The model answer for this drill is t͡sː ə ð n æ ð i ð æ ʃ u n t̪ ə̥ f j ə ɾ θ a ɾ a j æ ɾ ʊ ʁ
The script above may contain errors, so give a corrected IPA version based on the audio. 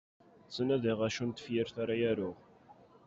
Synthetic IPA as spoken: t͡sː ə n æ ð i ʁ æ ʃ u n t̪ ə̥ f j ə ɾ θ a ɾ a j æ ɾ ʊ ʁ